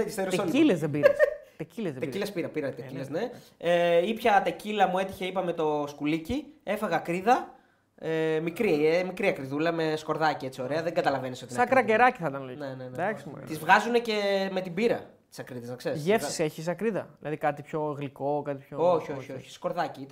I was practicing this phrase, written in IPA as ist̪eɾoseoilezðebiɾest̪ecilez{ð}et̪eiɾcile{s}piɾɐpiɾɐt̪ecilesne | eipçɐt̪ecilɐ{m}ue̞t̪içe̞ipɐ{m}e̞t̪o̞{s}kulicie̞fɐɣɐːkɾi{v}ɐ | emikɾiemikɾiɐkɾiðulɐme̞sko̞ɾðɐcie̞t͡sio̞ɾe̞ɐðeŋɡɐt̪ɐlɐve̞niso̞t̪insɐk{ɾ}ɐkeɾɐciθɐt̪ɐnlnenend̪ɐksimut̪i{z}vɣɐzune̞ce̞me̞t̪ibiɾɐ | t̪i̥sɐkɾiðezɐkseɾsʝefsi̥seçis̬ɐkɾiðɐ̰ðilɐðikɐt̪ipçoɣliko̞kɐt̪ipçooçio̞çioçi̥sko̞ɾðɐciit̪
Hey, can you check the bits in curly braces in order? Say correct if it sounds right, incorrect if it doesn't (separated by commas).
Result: correct, correct, correct, correct, correct, incorrect, correct, correct